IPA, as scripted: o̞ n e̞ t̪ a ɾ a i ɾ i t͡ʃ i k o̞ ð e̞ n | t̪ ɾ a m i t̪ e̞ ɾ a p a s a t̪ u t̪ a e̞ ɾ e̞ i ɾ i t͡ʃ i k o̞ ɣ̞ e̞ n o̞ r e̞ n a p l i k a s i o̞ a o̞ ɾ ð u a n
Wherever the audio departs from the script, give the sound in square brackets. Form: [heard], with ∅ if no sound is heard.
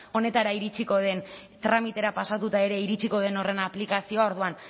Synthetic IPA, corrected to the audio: o̞ n e̞ t̪ a ɾ a i ɾ i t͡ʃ i k o̞ ð e̞ n | t̪ ɾ a m i t̪ e̞ ɾ a p a s a t̪ u t̪ a e̞ ɾ e̞ i ɾ i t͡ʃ i k o̞ [ð̞] e̞ n o̞ r e̞ n a p l i k a s i o̞ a o̞ ɾ ð u a n